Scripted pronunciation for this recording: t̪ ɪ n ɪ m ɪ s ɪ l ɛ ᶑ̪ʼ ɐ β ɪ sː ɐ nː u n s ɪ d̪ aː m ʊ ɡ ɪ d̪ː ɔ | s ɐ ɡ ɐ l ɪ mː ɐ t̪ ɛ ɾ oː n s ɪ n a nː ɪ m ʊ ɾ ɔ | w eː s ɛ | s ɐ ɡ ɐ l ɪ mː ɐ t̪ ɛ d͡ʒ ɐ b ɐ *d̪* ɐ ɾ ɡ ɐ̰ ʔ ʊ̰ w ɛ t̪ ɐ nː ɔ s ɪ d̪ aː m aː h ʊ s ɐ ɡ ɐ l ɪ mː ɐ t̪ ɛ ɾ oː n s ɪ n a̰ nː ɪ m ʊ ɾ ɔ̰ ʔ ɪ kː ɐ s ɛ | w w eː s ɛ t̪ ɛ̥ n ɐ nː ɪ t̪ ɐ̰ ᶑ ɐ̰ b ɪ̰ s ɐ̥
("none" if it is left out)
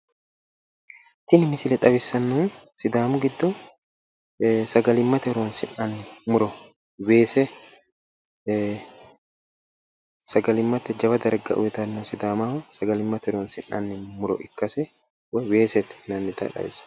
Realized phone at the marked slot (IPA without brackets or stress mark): d̪